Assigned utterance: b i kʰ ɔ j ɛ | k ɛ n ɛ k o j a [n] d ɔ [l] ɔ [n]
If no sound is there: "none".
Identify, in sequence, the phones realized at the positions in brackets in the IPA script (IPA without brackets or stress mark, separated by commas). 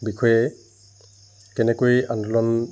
n, l, n